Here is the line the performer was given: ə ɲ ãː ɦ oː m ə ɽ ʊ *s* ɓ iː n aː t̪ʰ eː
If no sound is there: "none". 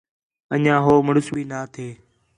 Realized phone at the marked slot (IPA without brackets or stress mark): s